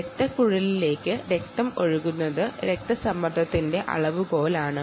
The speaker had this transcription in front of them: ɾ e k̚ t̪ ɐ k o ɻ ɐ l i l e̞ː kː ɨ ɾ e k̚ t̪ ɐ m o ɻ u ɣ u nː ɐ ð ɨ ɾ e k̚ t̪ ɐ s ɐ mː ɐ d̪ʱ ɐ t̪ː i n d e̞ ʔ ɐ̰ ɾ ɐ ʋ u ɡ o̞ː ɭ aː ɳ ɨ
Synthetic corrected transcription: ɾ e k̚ t̪ ɐ k u ɻ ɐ l i l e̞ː kː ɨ ɾ e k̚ t̪ ɐ m o ɻ u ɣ u nː ɐ ð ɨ ɾ e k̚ t̪ ɐ s ɐ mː ɐ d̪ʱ ɐ t̪ː i n d e̞ ʔ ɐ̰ ɭ ɐ ʋ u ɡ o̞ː l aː ɳ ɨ

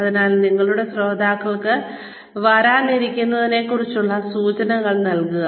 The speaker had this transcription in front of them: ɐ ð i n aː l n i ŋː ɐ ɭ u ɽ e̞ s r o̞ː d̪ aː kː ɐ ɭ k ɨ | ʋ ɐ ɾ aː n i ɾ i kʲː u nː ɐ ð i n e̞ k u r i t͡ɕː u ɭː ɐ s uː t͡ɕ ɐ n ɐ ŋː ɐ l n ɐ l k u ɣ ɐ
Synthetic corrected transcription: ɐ ð i n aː l n i ŋː ɐ ɭ u ɽ e̞ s r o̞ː d̪ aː kː ɐ ɭ k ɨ | ʋ ɐ ɾ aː n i ɾ i kʲː u nː ɐ ð i n e̞ k u r i t͡ɕː u ɭː ɐ s uː t͡ɕ ɐ n ɐ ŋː ɐ ɭ n ɐ l k u ɣ ɐ

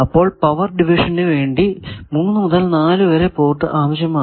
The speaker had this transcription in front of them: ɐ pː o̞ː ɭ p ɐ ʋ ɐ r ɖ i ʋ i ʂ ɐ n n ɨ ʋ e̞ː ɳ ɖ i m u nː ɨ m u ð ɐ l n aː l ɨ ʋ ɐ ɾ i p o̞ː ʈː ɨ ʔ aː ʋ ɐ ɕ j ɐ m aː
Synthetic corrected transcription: ɐ pː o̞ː ɭ p ɐ ʋ ɐ r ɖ i ʋ i ʂ ɐ n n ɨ ʋ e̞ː ɳ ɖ i m u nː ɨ m u ð ɐ l n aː l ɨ ʋ ɐ ɾ e p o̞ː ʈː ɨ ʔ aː ʋ ɐ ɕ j ɐ m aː

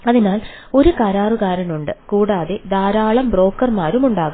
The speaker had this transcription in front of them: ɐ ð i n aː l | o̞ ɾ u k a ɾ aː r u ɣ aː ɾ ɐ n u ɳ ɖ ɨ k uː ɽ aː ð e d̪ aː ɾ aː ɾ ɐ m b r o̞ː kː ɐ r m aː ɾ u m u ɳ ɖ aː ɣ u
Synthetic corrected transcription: ɐ ð i n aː l | o̞ ɾ u k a ɾ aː r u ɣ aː ɾ ɐ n u ɳ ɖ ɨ k uː ɽ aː ð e d̪ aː ɾ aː ɭ ɐ m b r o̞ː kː ɐ r m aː ɾ u m u ɳ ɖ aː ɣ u

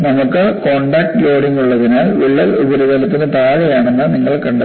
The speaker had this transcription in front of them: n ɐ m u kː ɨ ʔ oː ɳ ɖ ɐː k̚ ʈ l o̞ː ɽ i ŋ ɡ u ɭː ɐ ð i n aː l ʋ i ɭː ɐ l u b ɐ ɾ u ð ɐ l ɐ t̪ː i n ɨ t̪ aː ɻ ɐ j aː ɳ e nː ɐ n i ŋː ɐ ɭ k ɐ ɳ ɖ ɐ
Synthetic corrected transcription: n ɐ m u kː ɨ k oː ɳ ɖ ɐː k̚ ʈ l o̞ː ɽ i ŋ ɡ u ɭː ɐ ð i n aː l ʋ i ɭː ɐ l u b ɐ ɾ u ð ɐ l ɐ t̪ː i n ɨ t̪ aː ɻ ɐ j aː ɳ e nː ɐ n i ŋː ɐ ɭ k ɐ ɳ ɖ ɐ

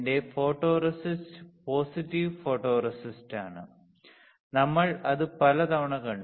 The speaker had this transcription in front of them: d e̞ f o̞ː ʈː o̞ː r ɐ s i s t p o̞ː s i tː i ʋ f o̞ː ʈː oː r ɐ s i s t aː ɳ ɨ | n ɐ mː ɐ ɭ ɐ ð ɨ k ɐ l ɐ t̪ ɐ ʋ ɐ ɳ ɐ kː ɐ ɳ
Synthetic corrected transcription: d e̞ f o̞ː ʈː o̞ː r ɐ s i s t p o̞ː s i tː i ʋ f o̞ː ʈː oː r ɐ s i s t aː ɳ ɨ | n ɐ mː ɐ ɭ ɐ ð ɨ p ɐ l ɐ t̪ ɐ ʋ ɐ ɳ ɐ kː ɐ ɳ

